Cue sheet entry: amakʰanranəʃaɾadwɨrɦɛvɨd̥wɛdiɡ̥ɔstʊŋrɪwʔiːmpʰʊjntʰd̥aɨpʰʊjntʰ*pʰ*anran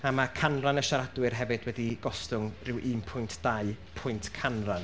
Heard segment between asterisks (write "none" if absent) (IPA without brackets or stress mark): kʰ